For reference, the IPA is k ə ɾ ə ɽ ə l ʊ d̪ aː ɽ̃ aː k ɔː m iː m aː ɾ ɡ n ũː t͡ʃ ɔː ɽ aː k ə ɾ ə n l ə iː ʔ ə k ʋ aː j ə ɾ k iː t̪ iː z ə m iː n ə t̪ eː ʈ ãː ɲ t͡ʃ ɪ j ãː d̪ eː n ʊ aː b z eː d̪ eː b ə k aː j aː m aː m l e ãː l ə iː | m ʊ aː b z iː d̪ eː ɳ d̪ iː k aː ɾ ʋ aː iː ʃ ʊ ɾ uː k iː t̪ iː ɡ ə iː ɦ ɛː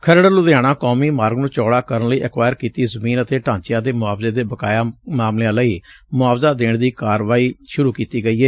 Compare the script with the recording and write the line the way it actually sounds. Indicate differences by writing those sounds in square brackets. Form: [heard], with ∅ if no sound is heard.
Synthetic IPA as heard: [kʰ] ə ɾ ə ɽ ə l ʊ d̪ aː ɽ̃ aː k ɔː m iː m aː ɾ ɡ n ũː t͡ʃ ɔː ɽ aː k ə ɾ ə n l ə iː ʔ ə k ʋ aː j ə ɾ k iː t̪ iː z ə m iː n ə t̪ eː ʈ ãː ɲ t͡ʃ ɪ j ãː d̪ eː [m] ʊ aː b z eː d̪ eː b ə k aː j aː m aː m l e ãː l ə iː | m ʊ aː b z [aː] d̪ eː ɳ d̪ iː k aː ɾ ʋ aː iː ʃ ʊ ɾ uː k iː t̪ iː ɡ ə iː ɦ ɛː